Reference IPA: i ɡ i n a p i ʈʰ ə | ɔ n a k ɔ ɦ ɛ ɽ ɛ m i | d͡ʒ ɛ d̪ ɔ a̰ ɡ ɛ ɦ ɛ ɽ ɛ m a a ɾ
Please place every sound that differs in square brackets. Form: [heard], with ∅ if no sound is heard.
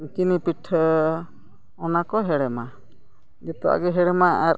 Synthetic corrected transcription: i [k] i n [i] p i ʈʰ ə | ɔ n a k ɔ ɦ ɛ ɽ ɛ m [a] | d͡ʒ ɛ [t̪] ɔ a̰ ɡ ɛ ɦ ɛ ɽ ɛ m a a ɾ